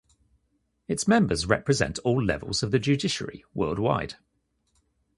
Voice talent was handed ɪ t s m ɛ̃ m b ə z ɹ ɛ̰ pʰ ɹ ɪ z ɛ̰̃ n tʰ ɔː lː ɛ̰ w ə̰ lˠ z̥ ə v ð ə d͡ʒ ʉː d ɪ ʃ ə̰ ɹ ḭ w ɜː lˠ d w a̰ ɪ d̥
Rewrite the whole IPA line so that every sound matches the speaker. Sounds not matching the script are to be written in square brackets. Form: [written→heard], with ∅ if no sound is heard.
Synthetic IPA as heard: ɪ t s m ɛ̃ m b ə z ɹ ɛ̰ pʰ ɹ ɪ z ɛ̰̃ n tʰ ɔː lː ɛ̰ [w→v] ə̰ lˠ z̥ ə v ð ə d͡ʒ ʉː d ɪ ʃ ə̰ ɹ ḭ w ɜː lˠ d w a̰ ɪ d̥